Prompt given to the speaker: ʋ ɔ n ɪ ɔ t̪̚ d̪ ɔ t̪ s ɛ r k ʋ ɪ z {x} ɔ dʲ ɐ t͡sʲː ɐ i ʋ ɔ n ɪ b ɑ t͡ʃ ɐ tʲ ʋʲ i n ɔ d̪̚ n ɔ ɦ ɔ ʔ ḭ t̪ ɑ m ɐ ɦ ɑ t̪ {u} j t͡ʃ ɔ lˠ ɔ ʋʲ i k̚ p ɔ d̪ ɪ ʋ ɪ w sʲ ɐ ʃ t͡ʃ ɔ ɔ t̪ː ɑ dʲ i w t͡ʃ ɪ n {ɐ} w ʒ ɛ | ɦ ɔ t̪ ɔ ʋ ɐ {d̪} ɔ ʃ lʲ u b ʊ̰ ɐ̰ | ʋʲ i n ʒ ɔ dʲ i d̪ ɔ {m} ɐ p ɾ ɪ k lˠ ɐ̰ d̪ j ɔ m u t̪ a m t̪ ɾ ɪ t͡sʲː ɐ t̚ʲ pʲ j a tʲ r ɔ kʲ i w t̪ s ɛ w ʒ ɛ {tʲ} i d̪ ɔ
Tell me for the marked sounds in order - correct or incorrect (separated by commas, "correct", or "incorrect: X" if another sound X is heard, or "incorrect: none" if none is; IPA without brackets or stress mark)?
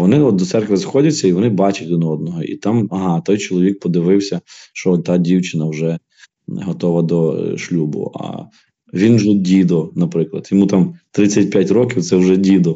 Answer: correct, incorrect: ɔ, correct, correct, incorrect: n, incorrect: dʲ